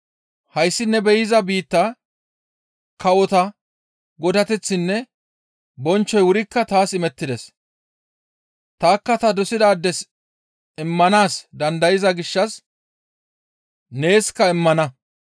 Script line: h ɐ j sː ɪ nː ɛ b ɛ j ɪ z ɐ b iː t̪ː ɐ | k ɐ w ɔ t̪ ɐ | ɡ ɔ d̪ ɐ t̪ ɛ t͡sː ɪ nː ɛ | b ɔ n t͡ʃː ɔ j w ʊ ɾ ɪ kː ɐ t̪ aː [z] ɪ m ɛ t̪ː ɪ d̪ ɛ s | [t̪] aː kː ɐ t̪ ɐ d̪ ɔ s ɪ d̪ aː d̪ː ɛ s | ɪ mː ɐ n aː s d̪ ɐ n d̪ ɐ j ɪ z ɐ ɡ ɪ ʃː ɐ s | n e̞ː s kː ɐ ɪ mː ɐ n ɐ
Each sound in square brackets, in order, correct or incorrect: incorrect, correct

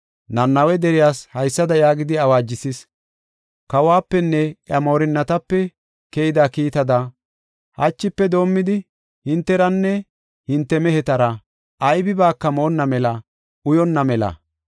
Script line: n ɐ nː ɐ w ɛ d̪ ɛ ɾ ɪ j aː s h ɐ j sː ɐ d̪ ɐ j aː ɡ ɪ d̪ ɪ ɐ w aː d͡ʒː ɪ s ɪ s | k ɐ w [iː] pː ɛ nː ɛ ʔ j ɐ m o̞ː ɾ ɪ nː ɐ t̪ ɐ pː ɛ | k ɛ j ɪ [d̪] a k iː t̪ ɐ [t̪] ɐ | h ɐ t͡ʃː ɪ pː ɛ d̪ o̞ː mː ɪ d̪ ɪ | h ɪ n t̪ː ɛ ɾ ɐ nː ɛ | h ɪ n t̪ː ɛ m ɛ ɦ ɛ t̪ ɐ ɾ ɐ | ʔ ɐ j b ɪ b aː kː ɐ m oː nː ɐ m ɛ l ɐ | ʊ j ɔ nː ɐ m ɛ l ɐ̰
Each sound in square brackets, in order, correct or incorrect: incorrect, correct, incorrect

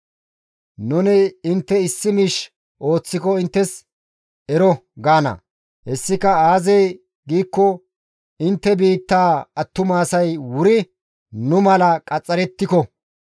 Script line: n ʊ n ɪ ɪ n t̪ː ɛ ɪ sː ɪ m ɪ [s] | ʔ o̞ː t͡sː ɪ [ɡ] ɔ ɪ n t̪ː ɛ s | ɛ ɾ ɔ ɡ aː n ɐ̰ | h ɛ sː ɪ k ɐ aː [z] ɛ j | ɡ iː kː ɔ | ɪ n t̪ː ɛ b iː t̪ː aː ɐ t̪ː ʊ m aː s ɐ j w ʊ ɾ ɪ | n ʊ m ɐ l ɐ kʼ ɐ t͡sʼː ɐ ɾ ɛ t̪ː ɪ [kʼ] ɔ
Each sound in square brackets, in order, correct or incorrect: incorrect, incorrect, correct, incorrect

